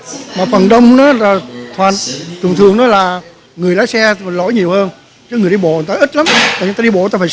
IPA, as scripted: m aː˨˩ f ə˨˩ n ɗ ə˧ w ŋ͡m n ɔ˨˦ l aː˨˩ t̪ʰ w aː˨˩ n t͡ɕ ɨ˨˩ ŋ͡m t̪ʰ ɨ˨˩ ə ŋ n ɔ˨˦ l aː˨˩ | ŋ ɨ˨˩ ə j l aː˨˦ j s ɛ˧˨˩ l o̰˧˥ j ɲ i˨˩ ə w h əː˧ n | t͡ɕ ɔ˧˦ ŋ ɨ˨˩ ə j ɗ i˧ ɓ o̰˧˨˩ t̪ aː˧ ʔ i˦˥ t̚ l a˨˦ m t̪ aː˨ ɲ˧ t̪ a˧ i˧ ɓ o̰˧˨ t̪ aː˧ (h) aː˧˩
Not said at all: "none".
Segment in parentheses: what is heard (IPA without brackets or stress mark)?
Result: f